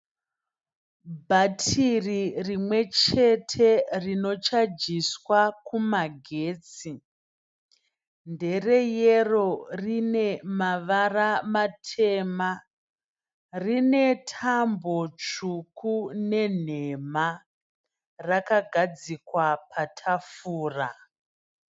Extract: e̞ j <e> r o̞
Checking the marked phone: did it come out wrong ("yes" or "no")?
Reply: no